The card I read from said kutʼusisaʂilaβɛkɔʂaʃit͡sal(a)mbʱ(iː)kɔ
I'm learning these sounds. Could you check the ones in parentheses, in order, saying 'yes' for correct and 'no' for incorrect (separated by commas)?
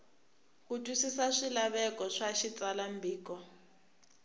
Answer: yes, yes